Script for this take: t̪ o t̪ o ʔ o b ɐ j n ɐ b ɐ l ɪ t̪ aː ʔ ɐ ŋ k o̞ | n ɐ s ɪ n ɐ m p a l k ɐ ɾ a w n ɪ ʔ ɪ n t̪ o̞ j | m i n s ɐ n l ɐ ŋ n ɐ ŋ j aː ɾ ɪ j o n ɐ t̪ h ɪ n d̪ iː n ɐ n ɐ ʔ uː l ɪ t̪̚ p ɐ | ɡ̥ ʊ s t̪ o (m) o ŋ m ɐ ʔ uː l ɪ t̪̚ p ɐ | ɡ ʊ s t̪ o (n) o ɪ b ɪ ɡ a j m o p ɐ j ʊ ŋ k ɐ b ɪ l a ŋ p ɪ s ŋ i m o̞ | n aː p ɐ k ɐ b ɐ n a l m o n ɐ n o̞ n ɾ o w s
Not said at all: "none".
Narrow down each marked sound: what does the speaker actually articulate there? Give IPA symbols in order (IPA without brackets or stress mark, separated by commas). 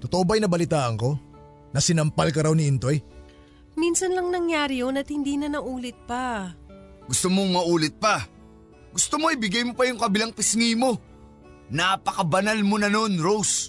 m, m